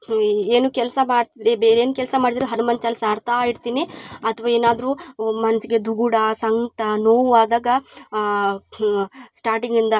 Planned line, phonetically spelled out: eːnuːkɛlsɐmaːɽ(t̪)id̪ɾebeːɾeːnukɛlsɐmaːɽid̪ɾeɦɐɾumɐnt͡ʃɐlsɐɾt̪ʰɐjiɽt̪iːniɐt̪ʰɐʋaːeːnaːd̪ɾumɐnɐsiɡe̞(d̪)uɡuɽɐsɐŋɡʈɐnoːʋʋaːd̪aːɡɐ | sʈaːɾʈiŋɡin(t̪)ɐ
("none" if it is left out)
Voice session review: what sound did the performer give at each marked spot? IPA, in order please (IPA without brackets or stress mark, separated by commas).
t̪, d̪, d̪